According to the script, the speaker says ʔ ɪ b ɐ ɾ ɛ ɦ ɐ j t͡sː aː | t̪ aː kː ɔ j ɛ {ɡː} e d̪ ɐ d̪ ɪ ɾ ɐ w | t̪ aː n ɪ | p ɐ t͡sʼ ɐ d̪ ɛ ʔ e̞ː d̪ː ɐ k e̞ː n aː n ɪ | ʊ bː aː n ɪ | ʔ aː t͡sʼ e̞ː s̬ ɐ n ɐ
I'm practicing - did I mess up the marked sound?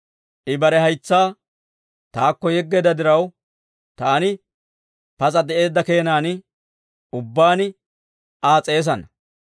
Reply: no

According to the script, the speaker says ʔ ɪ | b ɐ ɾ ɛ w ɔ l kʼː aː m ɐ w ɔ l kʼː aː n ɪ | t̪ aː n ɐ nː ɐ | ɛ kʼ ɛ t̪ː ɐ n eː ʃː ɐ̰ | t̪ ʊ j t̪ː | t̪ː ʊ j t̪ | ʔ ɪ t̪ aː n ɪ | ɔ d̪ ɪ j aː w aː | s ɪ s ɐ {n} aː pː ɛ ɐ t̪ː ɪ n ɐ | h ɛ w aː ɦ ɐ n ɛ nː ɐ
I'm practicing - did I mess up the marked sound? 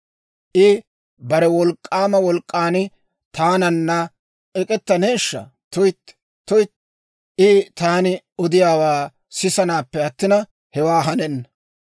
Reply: no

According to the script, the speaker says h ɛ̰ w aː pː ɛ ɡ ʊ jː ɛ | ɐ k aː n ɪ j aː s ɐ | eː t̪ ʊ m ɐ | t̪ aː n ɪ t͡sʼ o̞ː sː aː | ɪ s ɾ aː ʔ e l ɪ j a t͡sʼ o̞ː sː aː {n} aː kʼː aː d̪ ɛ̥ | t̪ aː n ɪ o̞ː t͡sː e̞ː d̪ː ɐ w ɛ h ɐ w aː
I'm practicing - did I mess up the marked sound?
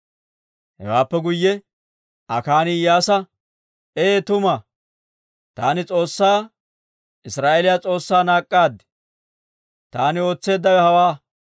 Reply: no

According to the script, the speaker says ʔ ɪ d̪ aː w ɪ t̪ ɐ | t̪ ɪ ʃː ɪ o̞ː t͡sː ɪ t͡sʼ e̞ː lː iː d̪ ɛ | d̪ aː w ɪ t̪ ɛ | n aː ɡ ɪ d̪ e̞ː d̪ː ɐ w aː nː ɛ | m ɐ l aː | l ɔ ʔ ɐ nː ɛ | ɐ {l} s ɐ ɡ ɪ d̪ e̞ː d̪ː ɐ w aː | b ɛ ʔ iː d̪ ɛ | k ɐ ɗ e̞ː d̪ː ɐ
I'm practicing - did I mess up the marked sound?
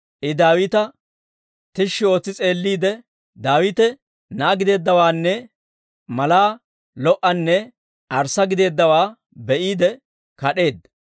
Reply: yes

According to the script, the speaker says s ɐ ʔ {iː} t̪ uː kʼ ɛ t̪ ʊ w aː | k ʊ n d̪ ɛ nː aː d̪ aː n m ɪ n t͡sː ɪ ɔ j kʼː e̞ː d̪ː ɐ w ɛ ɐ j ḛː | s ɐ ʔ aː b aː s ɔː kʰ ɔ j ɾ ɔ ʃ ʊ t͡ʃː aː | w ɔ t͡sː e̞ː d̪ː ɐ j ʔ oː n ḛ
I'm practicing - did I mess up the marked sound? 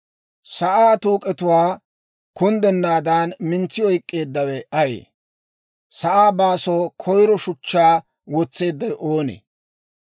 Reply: yes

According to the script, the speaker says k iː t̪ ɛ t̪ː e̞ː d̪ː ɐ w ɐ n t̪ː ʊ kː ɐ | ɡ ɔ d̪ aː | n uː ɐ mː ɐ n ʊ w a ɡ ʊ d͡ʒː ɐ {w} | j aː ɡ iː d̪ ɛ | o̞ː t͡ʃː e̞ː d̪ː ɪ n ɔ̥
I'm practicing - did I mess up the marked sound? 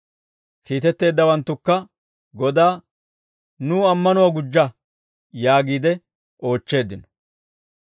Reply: yes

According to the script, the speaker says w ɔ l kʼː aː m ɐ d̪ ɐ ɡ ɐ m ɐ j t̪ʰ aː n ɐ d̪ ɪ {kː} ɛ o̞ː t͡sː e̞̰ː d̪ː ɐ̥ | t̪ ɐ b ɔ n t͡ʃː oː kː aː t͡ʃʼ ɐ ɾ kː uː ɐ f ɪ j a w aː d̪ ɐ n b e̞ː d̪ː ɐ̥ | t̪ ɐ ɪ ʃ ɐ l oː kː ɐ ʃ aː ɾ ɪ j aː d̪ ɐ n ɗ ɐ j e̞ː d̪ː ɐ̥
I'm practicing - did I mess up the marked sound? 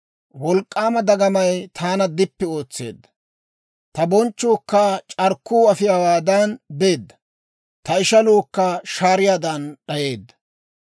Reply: yes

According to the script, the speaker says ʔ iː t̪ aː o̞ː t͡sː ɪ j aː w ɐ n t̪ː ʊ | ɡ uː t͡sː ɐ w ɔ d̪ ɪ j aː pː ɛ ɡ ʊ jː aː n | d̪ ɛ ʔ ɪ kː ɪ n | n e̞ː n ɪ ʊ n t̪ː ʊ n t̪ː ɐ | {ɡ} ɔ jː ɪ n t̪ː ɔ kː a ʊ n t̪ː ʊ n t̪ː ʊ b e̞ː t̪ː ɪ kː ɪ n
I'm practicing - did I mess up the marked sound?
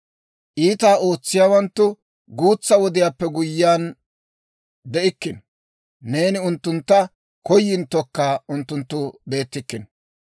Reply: yes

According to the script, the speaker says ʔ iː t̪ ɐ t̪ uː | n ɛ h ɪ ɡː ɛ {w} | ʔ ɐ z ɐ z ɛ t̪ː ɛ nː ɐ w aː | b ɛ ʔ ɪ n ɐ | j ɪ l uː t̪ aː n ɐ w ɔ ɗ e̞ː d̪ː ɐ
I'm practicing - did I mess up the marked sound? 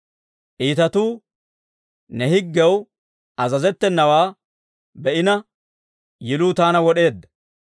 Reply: no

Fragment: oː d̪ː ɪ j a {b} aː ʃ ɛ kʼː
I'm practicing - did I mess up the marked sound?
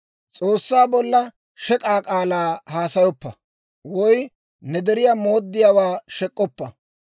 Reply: yes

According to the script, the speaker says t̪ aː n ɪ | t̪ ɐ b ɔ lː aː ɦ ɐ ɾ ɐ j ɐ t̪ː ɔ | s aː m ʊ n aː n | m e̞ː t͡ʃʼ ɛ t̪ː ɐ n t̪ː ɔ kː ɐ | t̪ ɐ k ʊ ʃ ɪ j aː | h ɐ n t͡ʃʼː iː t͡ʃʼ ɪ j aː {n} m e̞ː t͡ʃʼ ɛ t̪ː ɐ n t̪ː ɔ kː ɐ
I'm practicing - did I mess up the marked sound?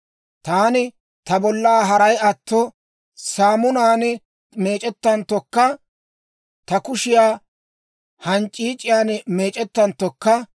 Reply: no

